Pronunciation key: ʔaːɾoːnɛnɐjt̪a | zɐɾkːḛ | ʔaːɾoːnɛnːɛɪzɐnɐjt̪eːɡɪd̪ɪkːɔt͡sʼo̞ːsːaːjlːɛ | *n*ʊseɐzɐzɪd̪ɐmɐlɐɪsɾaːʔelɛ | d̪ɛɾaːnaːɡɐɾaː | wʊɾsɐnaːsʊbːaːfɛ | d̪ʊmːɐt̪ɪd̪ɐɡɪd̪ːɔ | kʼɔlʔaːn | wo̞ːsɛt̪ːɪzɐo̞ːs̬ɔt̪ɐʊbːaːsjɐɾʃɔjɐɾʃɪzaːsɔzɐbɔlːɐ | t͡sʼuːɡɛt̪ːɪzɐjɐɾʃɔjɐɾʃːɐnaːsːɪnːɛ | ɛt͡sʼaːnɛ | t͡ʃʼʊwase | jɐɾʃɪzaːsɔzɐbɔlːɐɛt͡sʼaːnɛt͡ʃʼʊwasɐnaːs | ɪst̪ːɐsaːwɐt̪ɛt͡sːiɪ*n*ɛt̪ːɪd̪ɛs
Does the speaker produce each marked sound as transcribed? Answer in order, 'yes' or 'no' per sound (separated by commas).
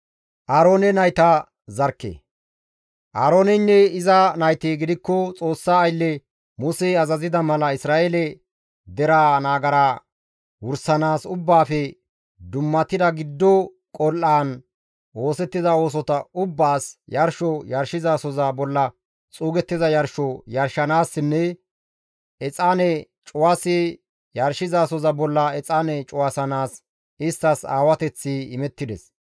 no, no